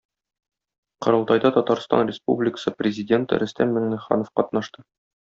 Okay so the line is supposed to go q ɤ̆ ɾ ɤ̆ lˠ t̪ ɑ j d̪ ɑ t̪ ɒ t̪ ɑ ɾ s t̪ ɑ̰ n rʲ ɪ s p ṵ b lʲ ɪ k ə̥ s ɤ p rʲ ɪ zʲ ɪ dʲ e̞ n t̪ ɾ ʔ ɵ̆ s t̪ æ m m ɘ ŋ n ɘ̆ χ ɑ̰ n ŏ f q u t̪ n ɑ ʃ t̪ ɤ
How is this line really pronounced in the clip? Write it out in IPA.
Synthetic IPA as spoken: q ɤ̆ ɾ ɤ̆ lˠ t̪ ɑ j d̪ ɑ t̪ ɒ t̪ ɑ ɾ s t̪ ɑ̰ n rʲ ɪ s p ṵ b lʲ ɪ k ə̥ s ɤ p rʲ ɪ zʲ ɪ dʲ e̞ n t̪ ɾ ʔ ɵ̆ s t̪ æ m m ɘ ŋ n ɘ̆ χ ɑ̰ n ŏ f q ɒ t̪ n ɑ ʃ t̪ ɤ